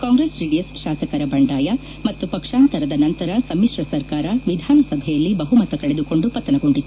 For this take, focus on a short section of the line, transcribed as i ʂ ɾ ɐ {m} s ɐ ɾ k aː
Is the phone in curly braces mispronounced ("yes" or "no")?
yes